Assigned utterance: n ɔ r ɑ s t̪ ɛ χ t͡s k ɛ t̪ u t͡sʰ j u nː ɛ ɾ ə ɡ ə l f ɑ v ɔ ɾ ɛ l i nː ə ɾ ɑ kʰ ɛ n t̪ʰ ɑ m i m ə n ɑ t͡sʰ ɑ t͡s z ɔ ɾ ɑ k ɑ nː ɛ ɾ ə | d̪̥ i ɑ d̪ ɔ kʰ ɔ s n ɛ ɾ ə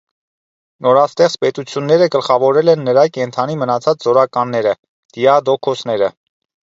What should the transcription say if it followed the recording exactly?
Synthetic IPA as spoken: n ɔ ɾ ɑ s t̪ ɛ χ t͡s p ɛ t̪ u t͡sʰ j u nː ɛ ɾ ə ɡ ə l χ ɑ v ɔ ɾ ɛ l ɛ nː ə ɾ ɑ k ɛ n t̪ʰ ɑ n i m ə n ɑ t͡sʰ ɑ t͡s z ɔ ɾ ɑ k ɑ nː ɛ ɾ ə | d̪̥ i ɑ d̪ ɔ kʰ ɔ s n ɛ ɾ ə

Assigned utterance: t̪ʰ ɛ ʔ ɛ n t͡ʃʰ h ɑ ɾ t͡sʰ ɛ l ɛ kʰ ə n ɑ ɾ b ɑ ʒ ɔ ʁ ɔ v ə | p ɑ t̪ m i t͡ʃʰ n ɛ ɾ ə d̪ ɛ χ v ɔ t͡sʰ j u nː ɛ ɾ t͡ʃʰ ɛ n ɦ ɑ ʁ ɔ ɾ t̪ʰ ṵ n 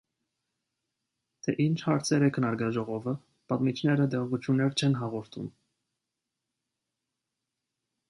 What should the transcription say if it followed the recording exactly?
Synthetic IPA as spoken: t̪ʰ ɛ ʔ i n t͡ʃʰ h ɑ ɾ t͡sʰ ɛ ɾ ɛ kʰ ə n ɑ ɾ ɡ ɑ ʒ ɔ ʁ ɔ v ə | p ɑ t̪ m i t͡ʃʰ n ɛ ɾ ə d̪ ɛ ʁ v u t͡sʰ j u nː ɛ ɾ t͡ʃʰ ɛ n ɦ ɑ ʁ ɔ ɾ t̪ʰ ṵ m

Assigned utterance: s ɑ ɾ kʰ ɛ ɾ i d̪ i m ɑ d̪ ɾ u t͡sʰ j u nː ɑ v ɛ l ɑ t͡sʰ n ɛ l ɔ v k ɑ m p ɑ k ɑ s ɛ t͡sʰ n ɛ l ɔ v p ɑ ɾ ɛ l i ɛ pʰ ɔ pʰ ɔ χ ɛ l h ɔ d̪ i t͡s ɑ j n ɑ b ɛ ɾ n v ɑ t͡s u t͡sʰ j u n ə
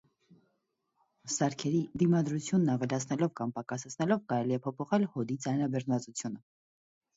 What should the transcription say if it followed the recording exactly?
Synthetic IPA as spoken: s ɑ ɾ kʰ ɛ ɾ i d̪ i m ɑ d̪ ɾ u t͡sʰ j u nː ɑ v ɛ l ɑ t͡sʰ n ɛ l ɔ v k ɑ m p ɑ k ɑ s ɛ t͡sʰ n ɛ l ɔ v k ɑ ɾ ɛ l i ɛ pʰ ɔ pʰ ɔ χ ɛ l h ɔ d̪ i t͡s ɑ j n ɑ b ɛ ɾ n v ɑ t͡s u t͡sʰ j u n ə

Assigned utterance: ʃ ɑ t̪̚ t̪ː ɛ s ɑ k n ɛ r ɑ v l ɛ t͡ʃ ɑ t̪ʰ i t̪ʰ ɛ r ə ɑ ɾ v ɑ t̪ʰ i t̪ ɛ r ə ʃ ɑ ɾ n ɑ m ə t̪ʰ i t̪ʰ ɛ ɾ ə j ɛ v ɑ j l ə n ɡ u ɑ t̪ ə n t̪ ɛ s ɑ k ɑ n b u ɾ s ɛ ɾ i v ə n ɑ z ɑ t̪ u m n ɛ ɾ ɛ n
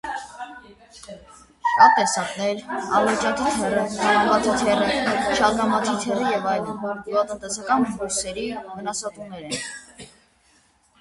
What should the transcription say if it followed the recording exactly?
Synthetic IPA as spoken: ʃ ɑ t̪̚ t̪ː ɛ s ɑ k n ɛ ɾ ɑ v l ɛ t͡ʃ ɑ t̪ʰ i t̪ʰ ɛ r ə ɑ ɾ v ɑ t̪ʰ i t̪ʰ ɛ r ə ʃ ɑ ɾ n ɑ m ɑ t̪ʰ i t̪ʰ ɛ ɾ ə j ɛ v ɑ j l ə n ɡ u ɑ t̪ ə n t̪ ɛ s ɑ k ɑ n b u ɾ s ɛ ɾ i v ə n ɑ s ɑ t̪ u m n ɛ ɾ ɛ n

